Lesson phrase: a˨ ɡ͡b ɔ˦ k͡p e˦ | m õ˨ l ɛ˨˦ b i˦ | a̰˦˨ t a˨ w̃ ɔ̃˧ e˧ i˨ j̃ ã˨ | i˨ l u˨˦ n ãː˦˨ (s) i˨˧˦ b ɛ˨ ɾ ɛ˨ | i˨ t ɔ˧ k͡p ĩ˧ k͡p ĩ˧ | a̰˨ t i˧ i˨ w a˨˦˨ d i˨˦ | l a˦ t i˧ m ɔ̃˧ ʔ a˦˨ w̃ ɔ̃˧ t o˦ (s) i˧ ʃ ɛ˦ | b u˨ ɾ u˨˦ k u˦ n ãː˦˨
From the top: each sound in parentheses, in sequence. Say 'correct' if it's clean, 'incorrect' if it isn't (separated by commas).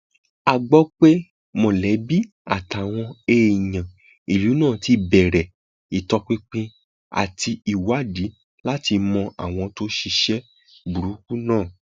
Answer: incorrect, incorrect